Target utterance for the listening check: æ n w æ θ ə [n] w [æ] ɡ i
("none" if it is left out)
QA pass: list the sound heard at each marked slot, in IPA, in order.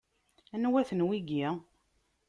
n, i

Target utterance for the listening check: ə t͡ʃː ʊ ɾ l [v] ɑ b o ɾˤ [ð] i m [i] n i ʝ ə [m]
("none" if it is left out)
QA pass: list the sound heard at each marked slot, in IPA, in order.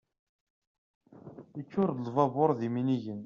v, ð, i, n

